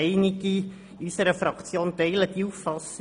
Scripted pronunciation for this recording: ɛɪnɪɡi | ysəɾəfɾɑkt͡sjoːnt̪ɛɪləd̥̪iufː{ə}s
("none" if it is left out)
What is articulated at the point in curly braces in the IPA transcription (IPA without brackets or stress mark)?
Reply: ɑ